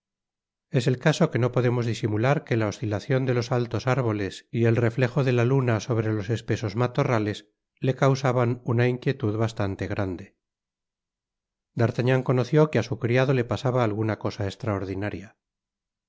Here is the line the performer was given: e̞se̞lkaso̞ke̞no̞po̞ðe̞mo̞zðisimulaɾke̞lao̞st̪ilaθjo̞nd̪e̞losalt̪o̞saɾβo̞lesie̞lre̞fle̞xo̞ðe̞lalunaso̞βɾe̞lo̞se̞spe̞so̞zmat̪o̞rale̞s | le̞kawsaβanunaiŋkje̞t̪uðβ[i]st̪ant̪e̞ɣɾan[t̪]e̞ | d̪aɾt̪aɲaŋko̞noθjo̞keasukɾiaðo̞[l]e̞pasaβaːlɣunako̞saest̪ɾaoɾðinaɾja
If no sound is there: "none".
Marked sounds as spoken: a, d̪, l

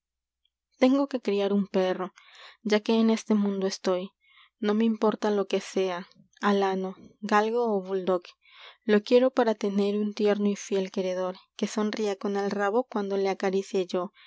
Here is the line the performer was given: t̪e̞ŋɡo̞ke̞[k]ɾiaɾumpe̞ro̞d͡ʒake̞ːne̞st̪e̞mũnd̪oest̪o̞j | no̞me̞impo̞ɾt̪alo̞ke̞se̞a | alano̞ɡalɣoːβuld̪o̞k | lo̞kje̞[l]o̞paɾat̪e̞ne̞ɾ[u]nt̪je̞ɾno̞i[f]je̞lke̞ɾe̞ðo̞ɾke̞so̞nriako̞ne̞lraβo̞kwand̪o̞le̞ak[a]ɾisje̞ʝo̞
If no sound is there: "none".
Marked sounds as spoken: k, ɾ, u, f, a

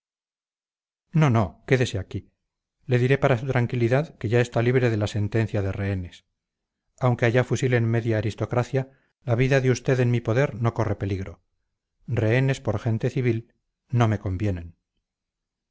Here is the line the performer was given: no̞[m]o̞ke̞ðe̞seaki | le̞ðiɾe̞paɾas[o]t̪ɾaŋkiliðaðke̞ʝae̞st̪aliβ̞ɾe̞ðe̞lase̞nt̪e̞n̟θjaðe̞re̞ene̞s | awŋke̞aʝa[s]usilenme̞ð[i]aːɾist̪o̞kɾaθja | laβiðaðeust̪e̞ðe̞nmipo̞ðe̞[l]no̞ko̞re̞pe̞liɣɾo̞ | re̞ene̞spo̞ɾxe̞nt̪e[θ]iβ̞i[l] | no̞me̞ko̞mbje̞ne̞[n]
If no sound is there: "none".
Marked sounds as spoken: n, u, f, j, ɾ, θ, l, n

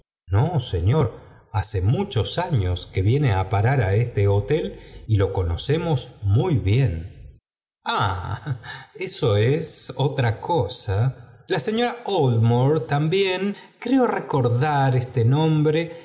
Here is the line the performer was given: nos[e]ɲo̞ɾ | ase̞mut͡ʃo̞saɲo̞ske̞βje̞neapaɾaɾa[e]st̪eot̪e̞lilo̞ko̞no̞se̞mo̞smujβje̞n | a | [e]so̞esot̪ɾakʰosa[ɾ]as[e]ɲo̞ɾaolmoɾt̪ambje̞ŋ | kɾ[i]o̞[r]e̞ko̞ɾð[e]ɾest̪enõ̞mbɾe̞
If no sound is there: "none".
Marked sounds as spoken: e, e, e, l, e, e, r, a

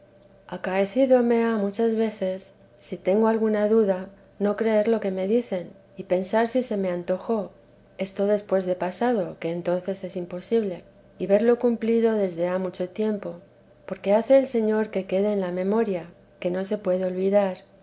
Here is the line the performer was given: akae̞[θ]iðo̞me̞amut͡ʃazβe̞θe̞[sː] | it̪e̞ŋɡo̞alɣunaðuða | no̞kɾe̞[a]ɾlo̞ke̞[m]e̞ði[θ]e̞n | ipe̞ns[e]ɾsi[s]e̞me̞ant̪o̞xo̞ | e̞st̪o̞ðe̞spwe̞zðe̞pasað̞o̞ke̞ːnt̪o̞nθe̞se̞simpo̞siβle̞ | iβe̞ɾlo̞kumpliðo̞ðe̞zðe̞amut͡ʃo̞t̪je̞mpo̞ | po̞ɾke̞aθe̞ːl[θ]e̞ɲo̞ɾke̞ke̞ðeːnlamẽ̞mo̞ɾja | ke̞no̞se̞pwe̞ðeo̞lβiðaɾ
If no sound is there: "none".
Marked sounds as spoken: θ, sː, e, m, θ, a, s, s

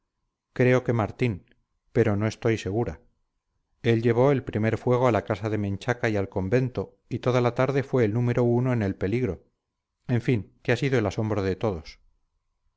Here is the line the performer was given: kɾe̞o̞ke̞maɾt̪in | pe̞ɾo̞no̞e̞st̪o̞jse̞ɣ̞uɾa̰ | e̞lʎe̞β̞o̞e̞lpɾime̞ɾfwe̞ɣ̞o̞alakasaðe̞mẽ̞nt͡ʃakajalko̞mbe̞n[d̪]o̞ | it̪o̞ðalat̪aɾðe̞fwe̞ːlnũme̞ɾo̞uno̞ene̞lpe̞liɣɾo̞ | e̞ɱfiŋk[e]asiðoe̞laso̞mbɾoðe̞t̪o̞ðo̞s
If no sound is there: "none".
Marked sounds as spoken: t̪, e

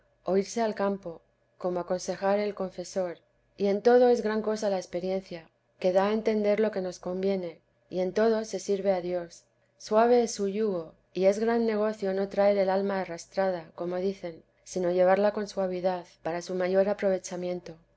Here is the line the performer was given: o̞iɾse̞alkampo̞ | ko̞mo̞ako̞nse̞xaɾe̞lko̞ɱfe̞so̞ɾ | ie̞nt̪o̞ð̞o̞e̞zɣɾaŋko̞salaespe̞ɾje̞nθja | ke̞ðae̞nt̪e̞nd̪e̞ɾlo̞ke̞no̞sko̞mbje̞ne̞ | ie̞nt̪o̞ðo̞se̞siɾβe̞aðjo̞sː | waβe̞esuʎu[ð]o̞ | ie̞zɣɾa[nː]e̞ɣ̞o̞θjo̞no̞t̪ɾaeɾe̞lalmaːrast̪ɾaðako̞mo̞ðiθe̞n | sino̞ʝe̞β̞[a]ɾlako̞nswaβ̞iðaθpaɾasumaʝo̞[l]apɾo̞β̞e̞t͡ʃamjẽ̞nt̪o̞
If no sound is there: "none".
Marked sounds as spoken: ɣ, nː, a, ɾ

